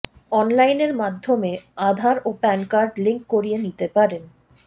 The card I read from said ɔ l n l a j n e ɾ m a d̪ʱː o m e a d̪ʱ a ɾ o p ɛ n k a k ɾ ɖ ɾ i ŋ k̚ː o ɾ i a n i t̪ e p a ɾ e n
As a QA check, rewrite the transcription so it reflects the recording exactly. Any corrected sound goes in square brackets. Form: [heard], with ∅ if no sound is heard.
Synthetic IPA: ɔ [∅] n l a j n e ɾ m a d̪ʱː o m e a d̪ʱ a ɾ o p ɛ n k a [∅] ɾ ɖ [l] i ŋ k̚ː o ɾ i [e] n i t̪ e p a ɾ e n